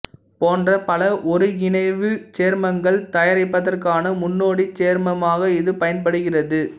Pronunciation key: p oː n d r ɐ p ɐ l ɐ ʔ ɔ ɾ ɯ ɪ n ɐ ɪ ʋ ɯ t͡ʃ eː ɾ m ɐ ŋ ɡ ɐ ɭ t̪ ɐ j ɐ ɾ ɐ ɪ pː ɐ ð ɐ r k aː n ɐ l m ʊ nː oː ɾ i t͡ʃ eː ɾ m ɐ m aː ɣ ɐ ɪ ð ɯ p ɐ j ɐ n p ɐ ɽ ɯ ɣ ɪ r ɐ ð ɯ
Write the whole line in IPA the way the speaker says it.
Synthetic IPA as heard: p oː n d r ɐ p ɐ l ɐ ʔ ɔ ɾ ɯ ɪ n ɐ ɪ ʋ ɯ t͡ʃ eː ɾ m ɐ ŋ ɡ ɐ ɭ t̪ ɐ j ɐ ɾ ɐ ɪ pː ɐ ð ɐ r k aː n ɐ m ʊ nː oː ɽ i t͡ʃ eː ɾ m ɐ m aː ɣ ɐ ɪ ð ɯ p ɐ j ɐ n p ɐ ɽ ɯ ɣ ɪ r ɐ ð ɯ